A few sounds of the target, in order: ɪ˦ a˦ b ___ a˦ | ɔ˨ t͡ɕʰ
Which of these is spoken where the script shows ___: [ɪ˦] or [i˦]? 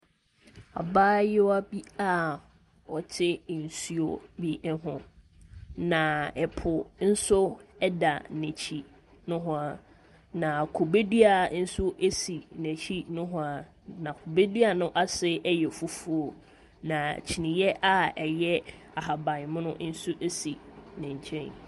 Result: i˦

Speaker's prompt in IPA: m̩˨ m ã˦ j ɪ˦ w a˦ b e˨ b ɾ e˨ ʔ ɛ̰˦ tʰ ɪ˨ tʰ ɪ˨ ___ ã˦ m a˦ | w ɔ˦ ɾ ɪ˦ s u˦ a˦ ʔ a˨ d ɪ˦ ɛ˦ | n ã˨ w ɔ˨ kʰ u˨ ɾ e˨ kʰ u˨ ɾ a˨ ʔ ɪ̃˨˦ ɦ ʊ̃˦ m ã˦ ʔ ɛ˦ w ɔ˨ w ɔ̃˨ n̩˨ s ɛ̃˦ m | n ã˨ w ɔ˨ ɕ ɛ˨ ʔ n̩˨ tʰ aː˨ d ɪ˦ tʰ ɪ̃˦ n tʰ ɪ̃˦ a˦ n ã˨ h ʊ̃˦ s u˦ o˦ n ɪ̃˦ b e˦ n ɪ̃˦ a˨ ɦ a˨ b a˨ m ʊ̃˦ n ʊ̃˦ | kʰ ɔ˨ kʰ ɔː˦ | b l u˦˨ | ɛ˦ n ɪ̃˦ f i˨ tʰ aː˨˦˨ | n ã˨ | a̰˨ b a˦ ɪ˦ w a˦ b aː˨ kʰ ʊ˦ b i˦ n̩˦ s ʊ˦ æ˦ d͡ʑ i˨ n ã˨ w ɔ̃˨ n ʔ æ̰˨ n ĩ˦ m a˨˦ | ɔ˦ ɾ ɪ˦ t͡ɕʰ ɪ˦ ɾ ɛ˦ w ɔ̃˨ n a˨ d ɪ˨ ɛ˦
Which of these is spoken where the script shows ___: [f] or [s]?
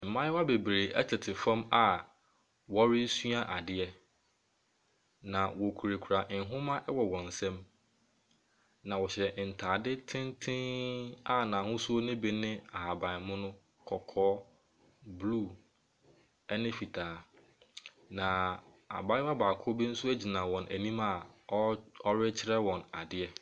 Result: f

